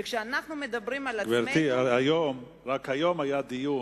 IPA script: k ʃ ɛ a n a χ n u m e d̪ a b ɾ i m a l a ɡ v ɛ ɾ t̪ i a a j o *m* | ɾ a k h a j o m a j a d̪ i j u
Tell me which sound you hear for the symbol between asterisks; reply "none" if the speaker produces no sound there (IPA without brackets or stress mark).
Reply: m